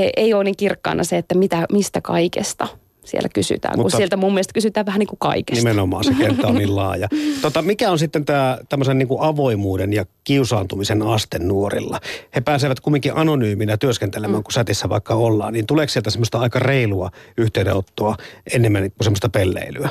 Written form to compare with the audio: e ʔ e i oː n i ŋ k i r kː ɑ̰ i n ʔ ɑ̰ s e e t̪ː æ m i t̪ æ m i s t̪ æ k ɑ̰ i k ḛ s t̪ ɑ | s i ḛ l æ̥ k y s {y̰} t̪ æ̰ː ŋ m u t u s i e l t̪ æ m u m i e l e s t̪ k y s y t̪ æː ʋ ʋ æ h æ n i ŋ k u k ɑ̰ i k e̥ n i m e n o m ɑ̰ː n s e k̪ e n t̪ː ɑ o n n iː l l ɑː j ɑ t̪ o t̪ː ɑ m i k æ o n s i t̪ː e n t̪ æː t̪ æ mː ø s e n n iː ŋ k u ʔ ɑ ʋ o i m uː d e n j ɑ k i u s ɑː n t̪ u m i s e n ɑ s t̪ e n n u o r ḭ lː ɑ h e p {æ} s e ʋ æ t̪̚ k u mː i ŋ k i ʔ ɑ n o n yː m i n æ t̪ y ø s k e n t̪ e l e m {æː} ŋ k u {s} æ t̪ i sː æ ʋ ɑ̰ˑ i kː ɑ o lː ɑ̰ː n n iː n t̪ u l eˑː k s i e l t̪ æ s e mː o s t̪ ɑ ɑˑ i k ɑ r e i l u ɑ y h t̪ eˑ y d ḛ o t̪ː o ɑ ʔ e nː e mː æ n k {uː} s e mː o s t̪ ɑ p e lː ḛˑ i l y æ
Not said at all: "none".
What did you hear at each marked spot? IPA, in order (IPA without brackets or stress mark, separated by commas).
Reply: y̰, æː, æː, s, u